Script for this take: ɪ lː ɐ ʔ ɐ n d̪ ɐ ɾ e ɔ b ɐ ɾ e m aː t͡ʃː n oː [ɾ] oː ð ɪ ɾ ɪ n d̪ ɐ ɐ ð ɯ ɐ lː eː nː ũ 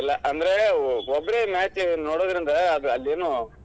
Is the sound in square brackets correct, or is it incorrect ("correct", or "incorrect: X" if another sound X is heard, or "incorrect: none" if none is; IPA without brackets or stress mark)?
incorrect: ɽ